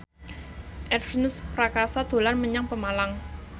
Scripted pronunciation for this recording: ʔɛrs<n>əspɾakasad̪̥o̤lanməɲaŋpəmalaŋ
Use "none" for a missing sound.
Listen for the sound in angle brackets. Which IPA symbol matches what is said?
n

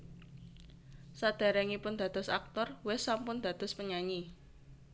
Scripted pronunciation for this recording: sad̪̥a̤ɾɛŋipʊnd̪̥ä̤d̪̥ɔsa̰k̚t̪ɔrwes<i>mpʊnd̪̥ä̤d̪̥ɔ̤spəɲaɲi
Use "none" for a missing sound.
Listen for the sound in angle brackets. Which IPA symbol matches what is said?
a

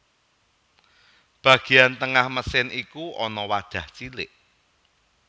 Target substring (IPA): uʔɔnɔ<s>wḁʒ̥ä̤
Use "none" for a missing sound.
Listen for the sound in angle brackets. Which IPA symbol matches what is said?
none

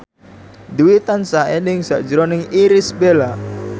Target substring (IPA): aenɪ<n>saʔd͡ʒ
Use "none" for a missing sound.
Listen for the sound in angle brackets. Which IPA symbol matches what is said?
ŋ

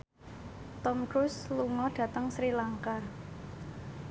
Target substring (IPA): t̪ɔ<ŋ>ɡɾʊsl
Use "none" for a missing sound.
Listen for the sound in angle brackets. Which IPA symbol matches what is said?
m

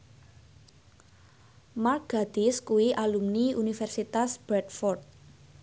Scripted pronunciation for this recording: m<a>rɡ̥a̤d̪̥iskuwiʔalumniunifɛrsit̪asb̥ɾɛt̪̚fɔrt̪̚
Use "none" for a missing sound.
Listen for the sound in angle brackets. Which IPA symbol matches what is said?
a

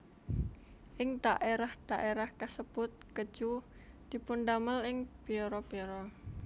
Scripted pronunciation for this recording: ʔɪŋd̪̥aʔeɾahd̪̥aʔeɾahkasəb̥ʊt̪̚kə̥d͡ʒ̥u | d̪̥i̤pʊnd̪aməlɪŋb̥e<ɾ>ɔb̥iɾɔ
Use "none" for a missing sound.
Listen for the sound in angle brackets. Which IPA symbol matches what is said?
ɾ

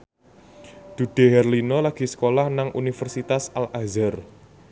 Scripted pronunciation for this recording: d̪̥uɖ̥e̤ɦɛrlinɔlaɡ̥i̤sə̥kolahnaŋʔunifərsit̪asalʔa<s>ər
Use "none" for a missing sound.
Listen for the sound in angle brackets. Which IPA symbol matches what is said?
z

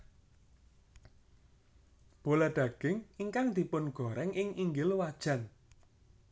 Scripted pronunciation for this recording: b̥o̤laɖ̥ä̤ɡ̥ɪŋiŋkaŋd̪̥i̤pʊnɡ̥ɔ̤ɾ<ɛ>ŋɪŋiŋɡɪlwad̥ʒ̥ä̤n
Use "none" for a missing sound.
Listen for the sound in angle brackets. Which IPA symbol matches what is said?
ɛ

